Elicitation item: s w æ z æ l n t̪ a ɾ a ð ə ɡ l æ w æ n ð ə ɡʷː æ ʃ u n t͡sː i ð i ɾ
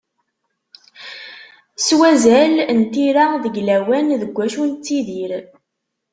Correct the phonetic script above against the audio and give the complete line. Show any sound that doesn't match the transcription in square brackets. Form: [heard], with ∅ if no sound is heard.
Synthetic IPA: s w æ z æ l n t̪ [i] ɾ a ð ə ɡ l æ w æ n ð ə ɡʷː æ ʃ u n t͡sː i ð i ɾ